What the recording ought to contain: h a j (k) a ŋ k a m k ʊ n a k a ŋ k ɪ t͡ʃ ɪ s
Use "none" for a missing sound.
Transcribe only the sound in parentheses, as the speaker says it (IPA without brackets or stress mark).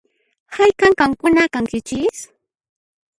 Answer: k